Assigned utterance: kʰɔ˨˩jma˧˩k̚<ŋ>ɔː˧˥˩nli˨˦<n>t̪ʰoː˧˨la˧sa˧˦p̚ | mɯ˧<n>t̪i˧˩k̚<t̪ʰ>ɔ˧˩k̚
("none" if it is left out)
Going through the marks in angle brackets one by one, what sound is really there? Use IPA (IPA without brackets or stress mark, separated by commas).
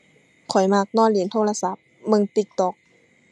n, n, ŋ, t̪